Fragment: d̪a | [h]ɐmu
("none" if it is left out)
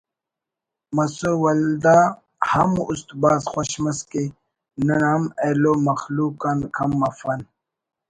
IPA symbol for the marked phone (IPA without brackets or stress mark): h